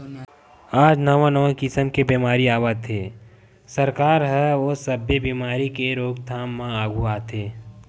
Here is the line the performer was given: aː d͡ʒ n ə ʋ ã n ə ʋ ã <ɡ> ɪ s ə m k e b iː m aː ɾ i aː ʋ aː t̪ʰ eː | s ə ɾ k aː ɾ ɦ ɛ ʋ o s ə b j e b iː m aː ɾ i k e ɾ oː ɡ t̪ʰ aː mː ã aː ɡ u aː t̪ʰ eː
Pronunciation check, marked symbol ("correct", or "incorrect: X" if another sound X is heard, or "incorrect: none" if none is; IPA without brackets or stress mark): incorrect: k